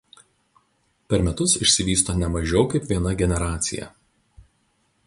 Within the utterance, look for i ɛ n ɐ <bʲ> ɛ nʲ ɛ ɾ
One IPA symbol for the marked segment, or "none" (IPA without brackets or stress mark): ɡʲ